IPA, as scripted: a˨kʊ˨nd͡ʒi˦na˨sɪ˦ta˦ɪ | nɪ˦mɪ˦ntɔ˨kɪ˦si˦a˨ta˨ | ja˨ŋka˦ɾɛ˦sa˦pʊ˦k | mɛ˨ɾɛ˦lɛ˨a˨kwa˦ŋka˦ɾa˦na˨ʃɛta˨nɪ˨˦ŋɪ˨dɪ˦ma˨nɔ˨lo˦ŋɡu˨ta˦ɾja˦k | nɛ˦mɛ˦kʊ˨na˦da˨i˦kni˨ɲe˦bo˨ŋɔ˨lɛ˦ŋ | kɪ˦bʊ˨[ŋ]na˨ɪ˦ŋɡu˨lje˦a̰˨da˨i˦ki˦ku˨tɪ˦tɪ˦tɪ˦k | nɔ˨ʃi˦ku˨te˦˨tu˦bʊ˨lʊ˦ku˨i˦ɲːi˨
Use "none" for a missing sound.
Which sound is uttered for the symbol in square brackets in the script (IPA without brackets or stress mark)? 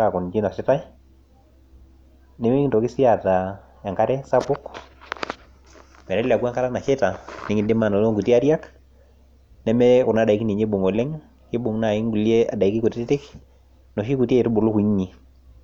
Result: ŋ